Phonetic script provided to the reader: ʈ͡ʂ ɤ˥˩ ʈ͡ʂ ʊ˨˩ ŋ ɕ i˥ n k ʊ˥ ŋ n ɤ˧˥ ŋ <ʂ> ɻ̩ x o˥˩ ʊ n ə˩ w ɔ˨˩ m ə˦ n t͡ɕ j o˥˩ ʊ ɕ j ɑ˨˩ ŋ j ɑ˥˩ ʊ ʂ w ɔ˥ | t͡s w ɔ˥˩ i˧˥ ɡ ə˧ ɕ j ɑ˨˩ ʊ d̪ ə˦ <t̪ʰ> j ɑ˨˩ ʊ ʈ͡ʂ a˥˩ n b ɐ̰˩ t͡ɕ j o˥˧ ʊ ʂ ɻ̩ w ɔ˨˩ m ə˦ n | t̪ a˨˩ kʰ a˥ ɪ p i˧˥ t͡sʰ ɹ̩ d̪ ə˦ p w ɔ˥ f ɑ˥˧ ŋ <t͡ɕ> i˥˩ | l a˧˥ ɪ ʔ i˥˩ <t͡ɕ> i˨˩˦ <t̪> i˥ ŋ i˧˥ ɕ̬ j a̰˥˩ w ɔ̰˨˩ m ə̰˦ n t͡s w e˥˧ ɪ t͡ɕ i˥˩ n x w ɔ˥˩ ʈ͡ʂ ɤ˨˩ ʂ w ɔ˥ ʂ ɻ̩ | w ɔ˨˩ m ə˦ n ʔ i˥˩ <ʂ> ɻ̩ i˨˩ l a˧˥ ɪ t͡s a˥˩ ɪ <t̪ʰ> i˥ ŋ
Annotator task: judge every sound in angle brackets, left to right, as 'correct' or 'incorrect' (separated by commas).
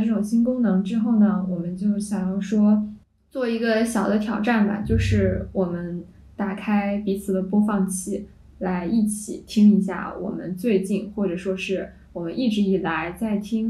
incorrect, correct, incorrect, incorrect, incorrect, incorrect, correct